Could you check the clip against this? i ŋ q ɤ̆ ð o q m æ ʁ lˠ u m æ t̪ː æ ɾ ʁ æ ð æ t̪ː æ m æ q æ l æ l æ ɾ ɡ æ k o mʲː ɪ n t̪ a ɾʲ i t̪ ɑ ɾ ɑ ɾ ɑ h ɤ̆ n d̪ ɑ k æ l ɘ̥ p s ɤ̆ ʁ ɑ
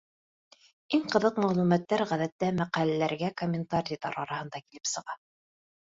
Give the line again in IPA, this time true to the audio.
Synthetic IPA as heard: i ŋ q ɤ̆ ð ɤ q m æ ʁ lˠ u m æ t̪ː æ ɾ ʁ æ ð æ t̪ː æ m æ q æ l æ l æ ɾ ɡ æ k o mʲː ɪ n t̪ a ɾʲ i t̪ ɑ ɾ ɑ ɾ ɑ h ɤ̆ n d̪ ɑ k i l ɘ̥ p s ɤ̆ ʁ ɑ